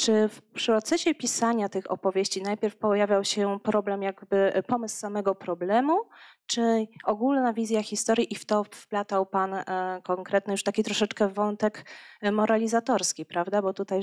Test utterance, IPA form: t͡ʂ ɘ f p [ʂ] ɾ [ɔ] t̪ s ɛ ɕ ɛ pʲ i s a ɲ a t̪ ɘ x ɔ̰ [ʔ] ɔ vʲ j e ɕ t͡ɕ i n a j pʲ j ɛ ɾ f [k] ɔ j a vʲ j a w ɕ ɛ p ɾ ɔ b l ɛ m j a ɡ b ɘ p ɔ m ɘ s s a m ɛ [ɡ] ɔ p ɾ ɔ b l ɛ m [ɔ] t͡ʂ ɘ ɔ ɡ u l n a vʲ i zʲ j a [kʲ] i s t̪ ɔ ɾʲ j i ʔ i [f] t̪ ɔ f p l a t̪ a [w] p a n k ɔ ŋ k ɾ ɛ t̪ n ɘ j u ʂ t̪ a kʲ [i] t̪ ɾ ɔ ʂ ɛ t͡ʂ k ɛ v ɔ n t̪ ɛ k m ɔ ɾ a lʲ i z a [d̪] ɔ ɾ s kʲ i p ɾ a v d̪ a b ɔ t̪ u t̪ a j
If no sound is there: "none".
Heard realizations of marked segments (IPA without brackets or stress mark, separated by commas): ʂ, ɔ, p, p, ɡ, u, xʲ, f, w, i, t̪